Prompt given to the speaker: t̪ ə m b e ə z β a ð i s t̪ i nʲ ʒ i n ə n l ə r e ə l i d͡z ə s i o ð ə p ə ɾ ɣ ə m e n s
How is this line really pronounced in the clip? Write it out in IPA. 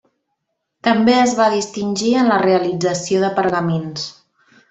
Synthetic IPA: t̪ ə m b e ə z β a ð i s t̪ i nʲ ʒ i ə n l ə r e ə l i d͡z ə s i o ð ə p ə ɾ ɣ ə m e n s

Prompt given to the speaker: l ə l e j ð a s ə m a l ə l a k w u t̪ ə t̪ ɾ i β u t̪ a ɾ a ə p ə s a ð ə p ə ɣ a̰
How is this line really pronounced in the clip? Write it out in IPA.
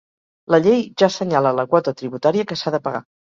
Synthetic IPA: l ə ʎ e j ʒ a s ə ɲ a l ə l ə k w ɔ t̪ ə t̪ ɾ i β u t̪ a ɾ i ə k ə s a ð ə p ə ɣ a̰

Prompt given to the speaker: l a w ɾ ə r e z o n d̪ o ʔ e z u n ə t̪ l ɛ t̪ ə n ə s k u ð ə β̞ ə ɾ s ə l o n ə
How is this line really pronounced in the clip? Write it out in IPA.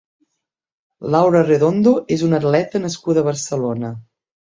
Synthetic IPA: l a w ɾ ə r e ð o n d̪ o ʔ e z u n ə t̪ l ɛ t̪ ə n ə s k u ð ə β̞ ə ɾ s ə l o n ə

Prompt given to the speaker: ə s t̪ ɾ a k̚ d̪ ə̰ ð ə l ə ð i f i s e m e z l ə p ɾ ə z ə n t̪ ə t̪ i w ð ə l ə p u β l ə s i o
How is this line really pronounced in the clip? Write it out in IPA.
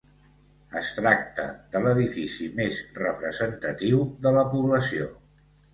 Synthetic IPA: ə s t̪ ɾ a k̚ t̪ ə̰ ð ə l ə ð i f i s i m e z r ə p ɾ ə z ə n t̪ ə t̪ i w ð ə l ə p u β l ə s i o

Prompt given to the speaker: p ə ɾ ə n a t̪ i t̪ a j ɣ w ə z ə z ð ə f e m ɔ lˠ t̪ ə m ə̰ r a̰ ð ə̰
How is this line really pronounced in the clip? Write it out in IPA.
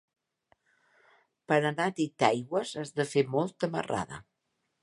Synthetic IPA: p ə ɾ ə n a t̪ i t̪ a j ɣ w ə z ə z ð ə f e m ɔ lˠ t̪ ə m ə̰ r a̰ ð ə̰

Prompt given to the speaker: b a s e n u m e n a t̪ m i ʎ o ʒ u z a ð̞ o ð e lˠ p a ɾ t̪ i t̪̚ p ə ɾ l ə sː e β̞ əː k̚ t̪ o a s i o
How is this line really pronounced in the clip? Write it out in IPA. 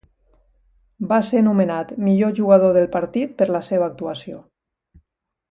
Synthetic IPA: b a s e n u m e n a t̪ m i ʎ o ʒ u ɣ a ð̞ o ð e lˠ p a ɾ t̪ i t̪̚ p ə ɾ l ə s e β̞ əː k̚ t̪ u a s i o

